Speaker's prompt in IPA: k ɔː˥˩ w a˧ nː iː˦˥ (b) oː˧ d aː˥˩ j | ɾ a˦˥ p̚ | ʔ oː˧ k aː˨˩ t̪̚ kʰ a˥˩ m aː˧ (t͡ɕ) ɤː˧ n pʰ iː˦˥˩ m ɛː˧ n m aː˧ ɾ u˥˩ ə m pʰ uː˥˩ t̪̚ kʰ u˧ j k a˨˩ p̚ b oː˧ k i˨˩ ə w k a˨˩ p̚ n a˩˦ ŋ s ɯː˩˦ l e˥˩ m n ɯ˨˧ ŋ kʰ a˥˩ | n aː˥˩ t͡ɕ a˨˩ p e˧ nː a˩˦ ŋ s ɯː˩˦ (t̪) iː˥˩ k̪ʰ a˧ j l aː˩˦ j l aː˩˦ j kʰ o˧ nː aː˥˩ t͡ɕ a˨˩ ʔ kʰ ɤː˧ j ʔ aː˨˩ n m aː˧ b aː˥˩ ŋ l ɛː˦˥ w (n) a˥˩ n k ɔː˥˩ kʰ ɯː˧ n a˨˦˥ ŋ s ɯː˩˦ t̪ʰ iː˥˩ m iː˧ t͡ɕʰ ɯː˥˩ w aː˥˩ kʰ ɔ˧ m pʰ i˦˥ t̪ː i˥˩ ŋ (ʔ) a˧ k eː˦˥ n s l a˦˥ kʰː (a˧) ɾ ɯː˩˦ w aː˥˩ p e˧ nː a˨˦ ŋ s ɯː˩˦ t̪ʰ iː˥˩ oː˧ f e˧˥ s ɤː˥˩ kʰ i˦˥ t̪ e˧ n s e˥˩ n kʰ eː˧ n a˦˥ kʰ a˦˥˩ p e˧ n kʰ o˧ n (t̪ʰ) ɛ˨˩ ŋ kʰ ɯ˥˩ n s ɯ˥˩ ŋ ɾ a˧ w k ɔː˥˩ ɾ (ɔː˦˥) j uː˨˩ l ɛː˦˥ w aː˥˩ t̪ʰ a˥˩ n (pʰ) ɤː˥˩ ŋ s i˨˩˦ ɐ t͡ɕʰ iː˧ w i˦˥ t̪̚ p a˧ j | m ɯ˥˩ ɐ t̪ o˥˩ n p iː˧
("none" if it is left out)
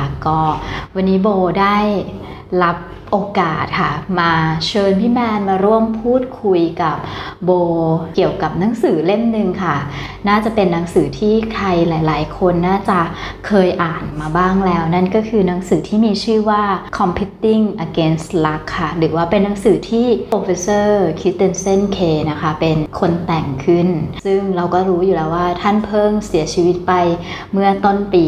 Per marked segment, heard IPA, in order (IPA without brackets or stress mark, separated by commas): b, t͡ɕʰ, t̪ʰ, n, ʔ, a˥˩, t̪, uː˦˥, pʰ